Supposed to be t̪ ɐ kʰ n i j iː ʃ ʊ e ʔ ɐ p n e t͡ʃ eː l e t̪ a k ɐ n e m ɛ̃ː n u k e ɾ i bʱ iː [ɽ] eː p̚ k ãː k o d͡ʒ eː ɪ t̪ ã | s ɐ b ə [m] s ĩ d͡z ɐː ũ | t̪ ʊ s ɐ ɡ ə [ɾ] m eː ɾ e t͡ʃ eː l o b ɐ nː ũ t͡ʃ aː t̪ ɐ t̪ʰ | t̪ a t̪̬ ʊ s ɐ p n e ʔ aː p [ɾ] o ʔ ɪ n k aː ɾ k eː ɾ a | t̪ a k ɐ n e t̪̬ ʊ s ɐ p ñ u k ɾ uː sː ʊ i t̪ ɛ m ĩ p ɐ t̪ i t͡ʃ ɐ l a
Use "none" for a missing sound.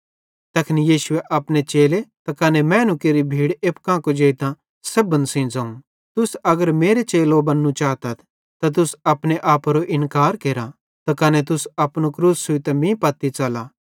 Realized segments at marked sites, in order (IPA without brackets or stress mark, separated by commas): ɽ, n, ɾ, ɾ